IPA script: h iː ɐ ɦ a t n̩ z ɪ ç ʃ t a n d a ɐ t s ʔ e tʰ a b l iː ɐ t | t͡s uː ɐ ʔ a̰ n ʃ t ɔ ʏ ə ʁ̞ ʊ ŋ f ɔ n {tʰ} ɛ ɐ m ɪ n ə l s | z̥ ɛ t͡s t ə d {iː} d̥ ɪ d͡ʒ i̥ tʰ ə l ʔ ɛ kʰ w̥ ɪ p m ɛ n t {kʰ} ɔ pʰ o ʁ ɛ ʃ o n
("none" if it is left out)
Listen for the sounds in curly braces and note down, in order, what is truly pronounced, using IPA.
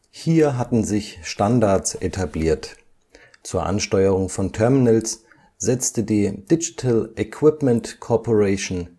tʰ, iː, kʰ

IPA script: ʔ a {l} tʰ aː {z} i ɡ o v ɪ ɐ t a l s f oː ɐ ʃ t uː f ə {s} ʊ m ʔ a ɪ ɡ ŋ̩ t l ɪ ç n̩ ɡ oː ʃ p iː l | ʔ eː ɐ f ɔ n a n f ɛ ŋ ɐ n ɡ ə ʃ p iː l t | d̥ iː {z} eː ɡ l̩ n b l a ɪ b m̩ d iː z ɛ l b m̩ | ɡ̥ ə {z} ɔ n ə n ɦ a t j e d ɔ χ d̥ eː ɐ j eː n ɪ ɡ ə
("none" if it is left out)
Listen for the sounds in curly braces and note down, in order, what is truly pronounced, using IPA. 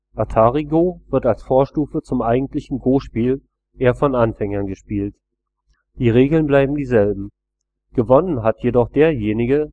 none, ʁ, t͡s, ʁ, v

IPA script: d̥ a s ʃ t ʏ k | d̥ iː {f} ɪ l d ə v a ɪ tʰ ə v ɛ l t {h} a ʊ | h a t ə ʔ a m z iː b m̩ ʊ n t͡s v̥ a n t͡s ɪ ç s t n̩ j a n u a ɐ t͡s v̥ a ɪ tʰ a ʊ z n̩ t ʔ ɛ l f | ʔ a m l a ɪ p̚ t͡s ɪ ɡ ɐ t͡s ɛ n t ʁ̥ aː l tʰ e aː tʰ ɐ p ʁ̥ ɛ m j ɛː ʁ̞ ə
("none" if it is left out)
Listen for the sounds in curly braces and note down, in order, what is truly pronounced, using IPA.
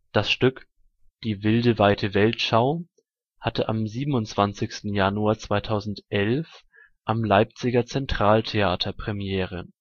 v, ʃ

